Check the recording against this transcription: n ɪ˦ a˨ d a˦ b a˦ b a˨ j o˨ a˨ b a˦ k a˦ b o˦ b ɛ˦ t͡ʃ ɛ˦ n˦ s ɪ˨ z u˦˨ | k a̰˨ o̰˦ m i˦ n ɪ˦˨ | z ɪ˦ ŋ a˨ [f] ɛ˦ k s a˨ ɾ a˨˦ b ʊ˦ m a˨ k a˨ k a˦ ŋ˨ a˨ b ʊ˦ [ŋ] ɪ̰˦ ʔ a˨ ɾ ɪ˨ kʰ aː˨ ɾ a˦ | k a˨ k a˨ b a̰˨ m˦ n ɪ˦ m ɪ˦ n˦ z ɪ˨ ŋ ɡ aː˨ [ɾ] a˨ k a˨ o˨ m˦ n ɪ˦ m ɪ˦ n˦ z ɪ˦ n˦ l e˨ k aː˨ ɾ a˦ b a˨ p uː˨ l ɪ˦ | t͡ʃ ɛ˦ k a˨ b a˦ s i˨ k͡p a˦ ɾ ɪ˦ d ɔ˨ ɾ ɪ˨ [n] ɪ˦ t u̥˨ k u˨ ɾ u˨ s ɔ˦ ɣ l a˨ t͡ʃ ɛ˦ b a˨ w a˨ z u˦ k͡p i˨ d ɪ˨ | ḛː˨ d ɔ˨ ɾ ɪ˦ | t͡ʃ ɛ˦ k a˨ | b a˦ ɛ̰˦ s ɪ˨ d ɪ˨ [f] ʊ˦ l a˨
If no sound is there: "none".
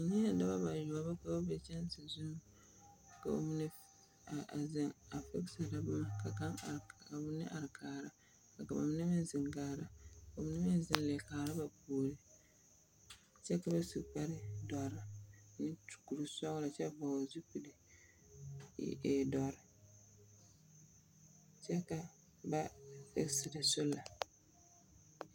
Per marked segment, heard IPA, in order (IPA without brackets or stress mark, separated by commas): f, n, ɾ, n, s